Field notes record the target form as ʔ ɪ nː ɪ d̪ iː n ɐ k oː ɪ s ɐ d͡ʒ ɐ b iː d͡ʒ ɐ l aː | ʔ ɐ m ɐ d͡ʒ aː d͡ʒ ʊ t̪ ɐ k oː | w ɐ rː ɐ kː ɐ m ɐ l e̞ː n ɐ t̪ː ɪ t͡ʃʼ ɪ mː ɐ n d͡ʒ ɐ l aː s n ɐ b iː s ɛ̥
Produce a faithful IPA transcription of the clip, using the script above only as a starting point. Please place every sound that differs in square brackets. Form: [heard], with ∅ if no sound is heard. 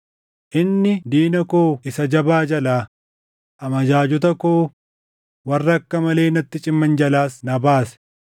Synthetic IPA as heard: ʔ ɪ nː ɪ d̪ iː n ɐ k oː ɪ s ɐ d͡ʒ ɐ b [aː] d͡ʒ ɐ l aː | ʔ ɐ m ɐ d͡ʒ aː d͡ʒ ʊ t̪ ɐ k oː | w ɐ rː ɐ kː ɐ m ɐ l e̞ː n ɐ t̪ː ɪ t͡ʃʼ ɪ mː ɐ n d͡ʒ ɐ l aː s n ɐ b [aː] s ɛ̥